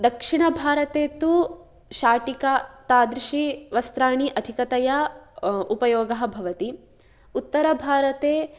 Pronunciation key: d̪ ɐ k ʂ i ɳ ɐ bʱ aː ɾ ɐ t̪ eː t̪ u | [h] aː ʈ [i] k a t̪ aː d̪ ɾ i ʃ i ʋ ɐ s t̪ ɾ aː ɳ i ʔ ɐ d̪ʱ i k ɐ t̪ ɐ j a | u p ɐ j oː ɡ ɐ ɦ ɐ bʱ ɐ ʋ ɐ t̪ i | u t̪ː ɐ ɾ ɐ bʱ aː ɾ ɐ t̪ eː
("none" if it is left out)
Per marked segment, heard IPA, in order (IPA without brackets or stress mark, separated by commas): ʃ, i